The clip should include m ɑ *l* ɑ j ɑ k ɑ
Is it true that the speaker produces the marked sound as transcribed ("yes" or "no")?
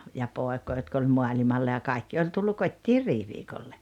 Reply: no